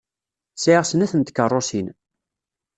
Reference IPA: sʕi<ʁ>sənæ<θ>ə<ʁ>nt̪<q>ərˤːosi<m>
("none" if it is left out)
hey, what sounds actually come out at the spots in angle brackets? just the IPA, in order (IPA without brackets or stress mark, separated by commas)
ʁ, θ, none, k, n